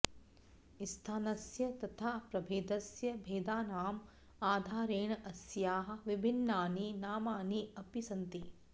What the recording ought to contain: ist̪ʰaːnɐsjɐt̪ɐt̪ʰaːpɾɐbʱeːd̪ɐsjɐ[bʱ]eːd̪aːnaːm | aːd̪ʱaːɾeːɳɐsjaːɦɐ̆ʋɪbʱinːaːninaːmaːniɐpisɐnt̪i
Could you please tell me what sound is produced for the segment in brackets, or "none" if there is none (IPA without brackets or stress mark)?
bʱ